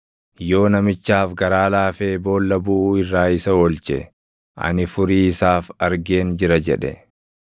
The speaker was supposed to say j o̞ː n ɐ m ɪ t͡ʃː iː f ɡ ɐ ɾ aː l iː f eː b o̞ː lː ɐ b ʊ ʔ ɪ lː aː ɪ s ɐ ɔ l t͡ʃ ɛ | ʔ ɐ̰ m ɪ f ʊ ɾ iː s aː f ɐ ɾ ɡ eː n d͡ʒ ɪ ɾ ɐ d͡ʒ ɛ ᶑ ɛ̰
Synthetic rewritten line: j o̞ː n ɐ m ɪ t͡ʃː aː f ɡ ɐ ɾ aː l aː f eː b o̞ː lː ɐ b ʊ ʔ ɪ rː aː ɪ s ɐ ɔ l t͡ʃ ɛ | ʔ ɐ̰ n ɪ f ʊ ɾ iː s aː f ɐ ɾ ɡ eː n d͡ʒ ɪ ɾ ɐ d͡ʒ ɛ ᶑ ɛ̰

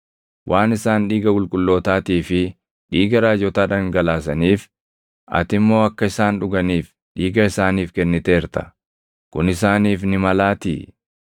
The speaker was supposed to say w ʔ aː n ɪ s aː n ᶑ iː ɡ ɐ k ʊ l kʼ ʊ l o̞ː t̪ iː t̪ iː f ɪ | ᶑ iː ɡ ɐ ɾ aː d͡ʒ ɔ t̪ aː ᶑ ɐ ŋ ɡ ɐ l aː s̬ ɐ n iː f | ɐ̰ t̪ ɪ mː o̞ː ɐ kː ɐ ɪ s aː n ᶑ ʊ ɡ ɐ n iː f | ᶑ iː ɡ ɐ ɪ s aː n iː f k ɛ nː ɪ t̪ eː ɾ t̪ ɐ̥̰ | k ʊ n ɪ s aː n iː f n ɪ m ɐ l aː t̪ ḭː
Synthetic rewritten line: w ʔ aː n ɪ s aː n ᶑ iː ɡ ɐ k ʊ l kʼ ʊ lː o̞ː t̪ aː t̪ iː f ɪ | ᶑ iː ɡ ɐ ɾ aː d͡ʒ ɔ t̪ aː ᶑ ɐ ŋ ɡ ɐ l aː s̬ ɐ n iː f | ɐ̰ t̪ ɪ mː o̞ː ɐ kː ɐ ɪ s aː n ᶑ ʊ ɡ ɐ n iː f | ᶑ iː ɡ ɐ ɪ s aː n iː f k ɛ nː ɪ t̪ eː ɾ t̪ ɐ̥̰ | k ʊ n ɪ s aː n iː f n ɪ m ɐ l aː t̪ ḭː

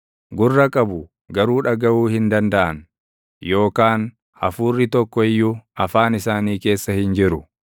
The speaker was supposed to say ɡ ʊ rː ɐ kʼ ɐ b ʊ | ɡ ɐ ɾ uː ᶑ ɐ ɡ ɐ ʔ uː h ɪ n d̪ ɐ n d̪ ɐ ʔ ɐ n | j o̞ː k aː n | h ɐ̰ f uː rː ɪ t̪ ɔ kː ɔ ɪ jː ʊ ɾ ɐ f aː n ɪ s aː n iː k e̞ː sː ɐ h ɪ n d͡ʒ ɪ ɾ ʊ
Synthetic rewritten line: ɡ ʊ rː ɐ kʼ ɐ b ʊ | ɡ ɐ ɾ uː ᶑ ɐ ɡ ɐ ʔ uː h ɪ n d̪ ɐ n d̪ ɐ ʔ ɐ n | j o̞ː k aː n | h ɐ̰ f uː rː ɪ t̪ ɔ kː ɔ ɪ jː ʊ ɐ f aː n ɪ s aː n iː k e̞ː sː ɐ h ɪ n d͡ʒ ɪ ɾ ʊ

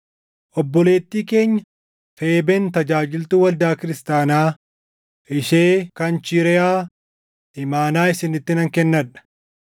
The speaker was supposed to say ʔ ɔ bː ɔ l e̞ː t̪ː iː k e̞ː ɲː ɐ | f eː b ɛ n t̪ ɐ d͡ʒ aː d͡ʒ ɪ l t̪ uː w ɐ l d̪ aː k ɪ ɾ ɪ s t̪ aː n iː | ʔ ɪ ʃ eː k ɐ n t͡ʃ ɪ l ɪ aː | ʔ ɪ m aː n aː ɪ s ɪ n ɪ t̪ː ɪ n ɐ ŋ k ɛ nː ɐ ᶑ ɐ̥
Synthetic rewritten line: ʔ ɔ bː ɔ l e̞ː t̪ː iː k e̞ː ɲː ɐ | f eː b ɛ n t̪ ɐ d͡ʒ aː d͡ʒ ɪ l t̪ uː w ɐ l d̪ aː k ɪ ɾ ɪ s t̪ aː n aː | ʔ ɪ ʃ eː k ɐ n t͡ʃ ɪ ɾ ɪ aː | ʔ ɪ m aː n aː ɪ s ɪ n ɪ t̪ː ɪ n ɐ ŋ k ɛ nː ɐ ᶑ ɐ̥

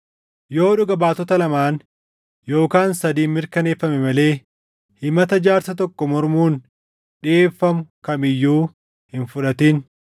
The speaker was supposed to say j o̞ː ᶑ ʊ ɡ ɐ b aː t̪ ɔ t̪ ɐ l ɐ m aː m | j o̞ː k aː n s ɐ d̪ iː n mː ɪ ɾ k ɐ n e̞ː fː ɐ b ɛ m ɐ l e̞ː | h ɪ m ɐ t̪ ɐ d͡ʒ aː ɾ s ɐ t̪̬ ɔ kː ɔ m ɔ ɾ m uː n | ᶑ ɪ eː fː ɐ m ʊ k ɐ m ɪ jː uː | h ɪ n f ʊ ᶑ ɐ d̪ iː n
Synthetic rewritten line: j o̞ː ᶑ ʊ ɡ ɐ b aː t̪ ɔ t̪ ɐ l ɐ m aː n | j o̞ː k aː n s ɐ d̪ iː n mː ɪ ɾ k ɐ n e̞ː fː ɐ m ɛ m ɐ l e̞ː | h ɪ m ɐ t̪ ɐ d͡ʒ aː ɾ s ɐ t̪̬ ɔ kː ɔ m ɔ ɾ m uː n | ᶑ ɪ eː fː ɐ m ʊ k ɐ m ɪ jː uː | h ɪ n f ʊ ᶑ ɐ t̪ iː n

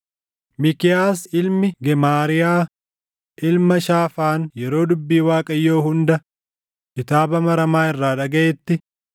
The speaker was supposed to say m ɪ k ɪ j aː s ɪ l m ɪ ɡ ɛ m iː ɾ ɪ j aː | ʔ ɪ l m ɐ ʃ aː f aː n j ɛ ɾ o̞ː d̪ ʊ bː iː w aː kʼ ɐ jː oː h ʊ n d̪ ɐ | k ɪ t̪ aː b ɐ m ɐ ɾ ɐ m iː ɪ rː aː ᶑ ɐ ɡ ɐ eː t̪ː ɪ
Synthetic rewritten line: m ɪ k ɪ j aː s ɪ l m ɪ ɡ ɛ m aː ɾ ɪ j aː | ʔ ɪ l m ɐ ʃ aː f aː n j ɛ ɾ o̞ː d̪ ʊ bː iː w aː kʼ ɐ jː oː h ʊ n d̪ ɐ | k ɪ t̪ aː b ɐ m ɐ ɾ ɐ m aː ɪ rː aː ᶑ ɐ ɡ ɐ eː t̪ː ɪ

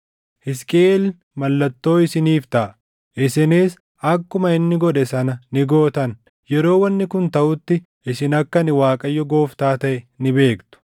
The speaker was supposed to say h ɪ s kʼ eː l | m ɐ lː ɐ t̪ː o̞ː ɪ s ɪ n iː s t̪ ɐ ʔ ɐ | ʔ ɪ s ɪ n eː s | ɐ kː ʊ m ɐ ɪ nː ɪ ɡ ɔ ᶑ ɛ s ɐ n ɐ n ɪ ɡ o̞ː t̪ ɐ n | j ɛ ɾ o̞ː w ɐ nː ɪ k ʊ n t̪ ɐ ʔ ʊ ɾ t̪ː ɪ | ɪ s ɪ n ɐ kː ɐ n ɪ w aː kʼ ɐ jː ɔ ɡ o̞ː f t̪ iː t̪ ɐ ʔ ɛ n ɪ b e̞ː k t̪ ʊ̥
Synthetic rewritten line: h ɪ s kʼ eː l | m ɐ lː ɐ t̪ː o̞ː ɪ s ɪ n iː f t̪ ɐ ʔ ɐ | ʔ ɪ s ɪ n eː s | ɐ kː ʊ m ɐ ɪ nː ɪ ɡ ɔ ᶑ ɛ s ɐ n ɐ n ɪ ɡ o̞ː t̪ ɐ n | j ɛ ɾ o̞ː w ɐ nː ɪ k ʊ n t̪ ɐ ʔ ʊ t̪ː ɪ | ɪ s ɪ n ɐ kː ɐ n ɪ w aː kʼ ɐ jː ɔ ɡ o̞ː f t̪ aː t̪ ɐ ʔ ɛ n ɪ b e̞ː k t̪ ʊ̥

